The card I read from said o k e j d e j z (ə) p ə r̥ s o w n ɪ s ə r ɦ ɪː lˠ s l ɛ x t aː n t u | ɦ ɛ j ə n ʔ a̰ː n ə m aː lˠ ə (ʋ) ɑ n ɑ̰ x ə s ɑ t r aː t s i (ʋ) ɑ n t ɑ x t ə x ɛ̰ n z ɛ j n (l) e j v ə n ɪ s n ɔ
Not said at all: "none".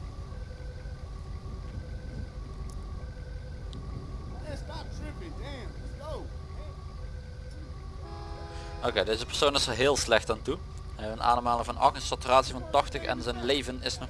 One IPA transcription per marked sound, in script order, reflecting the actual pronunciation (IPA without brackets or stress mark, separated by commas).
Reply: ə, v, v, l